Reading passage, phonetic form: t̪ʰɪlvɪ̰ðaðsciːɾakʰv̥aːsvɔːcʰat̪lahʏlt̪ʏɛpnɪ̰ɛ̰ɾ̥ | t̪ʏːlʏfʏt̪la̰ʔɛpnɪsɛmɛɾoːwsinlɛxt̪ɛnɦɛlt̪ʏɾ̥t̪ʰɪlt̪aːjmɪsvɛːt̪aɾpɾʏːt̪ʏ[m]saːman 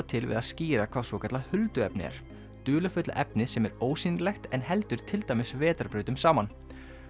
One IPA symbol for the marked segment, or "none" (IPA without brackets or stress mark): m